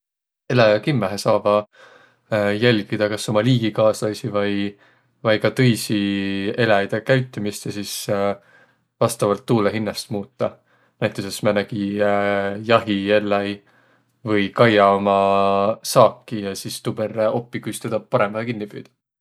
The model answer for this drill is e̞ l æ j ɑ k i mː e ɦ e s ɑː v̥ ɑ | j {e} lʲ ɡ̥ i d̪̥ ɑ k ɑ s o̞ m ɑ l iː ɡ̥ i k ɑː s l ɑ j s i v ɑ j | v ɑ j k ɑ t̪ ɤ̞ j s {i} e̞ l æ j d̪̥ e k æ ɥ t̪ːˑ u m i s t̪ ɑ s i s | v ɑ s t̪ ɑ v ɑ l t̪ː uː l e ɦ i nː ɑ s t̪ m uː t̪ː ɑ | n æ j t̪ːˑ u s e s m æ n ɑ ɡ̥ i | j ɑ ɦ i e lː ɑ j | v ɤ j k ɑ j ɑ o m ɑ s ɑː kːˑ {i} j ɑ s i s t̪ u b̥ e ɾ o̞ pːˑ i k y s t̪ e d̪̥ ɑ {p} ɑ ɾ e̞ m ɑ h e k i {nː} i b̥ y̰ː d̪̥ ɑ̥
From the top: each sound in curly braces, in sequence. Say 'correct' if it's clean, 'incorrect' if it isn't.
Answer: incorrect: æ, correct, correct, correct, correct

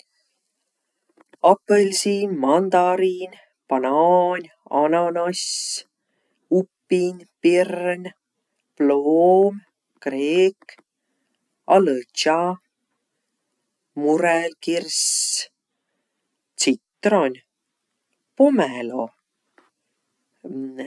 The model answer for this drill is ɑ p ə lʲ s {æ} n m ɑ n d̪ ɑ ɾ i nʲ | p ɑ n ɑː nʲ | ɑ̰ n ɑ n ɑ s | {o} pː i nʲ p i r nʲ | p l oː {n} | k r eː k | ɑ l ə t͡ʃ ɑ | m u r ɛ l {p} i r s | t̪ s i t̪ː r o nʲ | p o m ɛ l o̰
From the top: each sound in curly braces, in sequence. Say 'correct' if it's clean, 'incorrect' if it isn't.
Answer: incorrect: i, incorrect: u, incorrect: m, incorrect: k

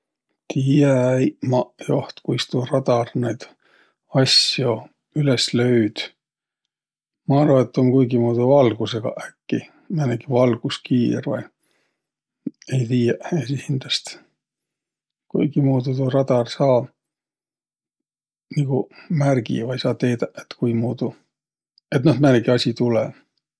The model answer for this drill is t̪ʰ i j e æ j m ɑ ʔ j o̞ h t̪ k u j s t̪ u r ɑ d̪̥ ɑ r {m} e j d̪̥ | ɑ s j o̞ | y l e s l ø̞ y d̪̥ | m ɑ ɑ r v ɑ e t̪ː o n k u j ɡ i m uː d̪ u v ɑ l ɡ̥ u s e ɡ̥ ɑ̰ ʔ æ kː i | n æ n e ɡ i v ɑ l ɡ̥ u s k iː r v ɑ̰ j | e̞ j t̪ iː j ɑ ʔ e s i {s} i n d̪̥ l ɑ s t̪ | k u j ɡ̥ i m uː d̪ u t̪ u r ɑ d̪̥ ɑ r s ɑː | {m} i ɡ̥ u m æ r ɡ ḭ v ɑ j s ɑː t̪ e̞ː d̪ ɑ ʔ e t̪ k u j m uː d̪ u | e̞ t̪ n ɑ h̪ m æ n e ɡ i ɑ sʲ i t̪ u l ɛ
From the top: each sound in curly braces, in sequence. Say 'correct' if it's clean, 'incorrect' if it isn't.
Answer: incorrect: n, incorrect: h, incorrect: n

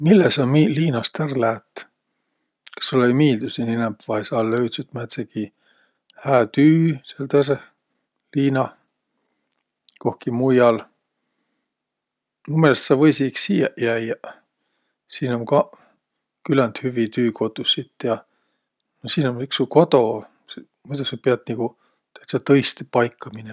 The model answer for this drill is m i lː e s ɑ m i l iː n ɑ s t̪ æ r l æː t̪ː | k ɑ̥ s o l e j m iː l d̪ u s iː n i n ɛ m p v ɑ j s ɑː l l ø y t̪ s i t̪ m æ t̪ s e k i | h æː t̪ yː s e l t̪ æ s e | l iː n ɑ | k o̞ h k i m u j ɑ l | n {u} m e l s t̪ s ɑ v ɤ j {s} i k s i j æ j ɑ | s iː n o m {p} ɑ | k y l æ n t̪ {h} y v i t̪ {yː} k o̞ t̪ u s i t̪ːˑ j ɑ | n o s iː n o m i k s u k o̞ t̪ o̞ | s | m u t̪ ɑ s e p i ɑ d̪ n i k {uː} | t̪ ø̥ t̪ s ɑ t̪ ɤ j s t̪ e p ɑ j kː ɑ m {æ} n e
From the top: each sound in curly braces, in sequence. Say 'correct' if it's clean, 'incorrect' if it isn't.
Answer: correct, correct, incorrect: k, correct, correct, incorrect: u, incorrect: i

